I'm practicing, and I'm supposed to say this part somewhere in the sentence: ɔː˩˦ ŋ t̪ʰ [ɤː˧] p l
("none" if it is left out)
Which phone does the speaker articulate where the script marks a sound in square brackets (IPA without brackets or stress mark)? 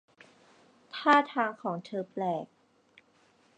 ɤː˧